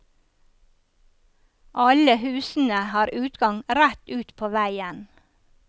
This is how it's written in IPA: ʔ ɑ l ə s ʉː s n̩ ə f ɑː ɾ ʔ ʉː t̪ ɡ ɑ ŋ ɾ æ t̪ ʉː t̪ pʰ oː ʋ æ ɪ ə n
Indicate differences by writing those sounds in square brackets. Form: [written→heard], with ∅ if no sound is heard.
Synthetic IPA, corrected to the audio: ʔ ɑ l ə [s→h] ʉː s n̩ ə [f→h] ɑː ɾ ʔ ʉː t̪ ɡ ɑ ŋ ɾ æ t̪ ʉː t̪ pʰ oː ʋ æ ɪ ə n